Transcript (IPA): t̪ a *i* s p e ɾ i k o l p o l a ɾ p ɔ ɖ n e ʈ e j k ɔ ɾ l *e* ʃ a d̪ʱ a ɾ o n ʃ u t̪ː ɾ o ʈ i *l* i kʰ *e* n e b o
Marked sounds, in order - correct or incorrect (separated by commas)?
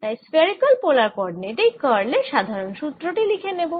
incorrect, correct, correct, correct